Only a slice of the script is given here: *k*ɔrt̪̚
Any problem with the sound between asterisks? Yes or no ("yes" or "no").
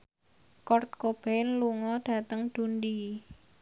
no